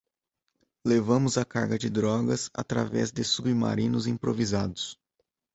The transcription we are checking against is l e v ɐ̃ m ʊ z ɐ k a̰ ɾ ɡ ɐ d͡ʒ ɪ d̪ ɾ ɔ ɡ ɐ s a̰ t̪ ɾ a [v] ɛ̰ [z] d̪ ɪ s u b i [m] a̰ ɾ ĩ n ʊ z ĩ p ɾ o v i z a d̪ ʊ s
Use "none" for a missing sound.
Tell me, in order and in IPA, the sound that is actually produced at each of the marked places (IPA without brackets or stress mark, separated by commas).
v, z, m